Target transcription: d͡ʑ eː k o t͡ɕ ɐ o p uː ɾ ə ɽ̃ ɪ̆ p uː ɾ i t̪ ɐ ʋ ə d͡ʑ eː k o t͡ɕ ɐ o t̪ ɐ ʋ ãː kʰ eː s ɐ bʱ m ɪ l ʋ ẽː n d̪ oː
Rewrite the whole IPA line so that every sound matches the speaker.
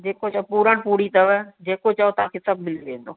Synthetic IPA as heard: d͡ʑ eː k o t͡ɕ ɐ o p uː ɾ ə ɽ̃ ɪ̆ p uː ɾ i t̪ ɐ ʋ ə d͡ʑ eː k o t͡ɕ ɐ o t̪ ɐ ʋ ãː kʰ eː s ɐ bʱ m ɪ l ʋ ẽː n d̪ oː